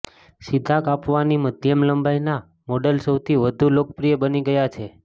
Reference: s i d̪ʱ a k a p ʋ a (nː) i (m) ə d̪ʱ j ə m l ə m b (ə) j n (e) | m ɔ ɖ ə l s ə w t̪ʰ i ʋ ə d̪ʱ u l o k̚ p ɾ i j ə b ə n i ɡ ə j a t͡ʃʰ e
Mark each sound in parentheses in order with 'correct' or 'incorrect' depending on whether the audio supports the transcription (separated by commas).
incorrect, correct, incorrect, incorrect